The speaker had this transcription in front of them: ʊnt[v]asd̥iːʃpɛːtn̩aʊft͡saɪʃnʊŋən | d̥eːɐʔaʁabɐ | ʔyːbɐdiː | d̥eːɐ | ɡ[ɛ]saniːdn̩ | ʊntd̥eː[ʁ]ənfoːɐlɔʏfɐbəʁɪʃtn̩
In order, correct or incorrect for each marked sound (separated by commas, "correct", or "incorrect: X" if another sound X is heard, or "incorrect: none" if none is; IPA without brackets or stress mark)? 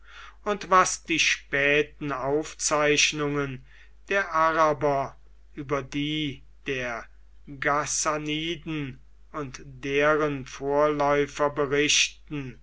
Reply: correct, incorrect: a, correct